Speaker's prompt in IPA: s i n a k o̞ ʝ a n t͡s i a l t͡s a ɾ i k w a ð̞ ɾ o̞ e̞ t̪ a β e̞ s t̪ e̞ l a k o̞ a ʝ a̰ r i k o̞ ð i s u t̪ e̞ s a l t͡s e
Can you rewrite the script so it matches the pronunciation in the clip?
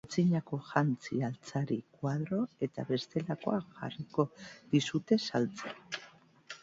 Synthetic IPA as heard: t͡s i ɲ a k o̞ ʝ a n t͡s i a l t͡s a ɾ i k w a ð̞ ɾ o̞ e̞ t̪ a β e̞ s t̪ e̞ l a k o̞ a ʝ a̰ r i k o̞ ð i s u t̪ e̞ s a l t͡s e